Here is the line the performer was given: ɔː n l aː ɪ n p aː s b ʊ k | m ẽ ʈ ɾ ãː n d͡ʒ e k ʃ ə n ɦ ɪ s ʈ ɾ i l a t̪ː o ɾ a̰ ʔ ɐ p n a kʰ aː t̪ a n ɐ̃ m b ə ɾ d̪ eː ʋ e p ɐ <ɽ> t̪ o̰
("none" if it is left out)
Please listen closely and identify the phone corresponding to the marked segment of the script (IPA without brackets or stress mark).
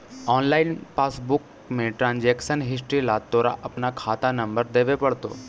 ɽ